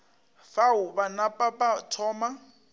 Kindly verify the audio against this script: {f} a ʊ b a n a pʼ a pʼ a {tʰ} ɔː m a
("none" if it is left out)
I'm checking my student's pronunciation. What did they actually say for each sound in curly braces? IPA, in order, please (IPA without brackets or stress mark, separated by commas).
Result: f, tʰ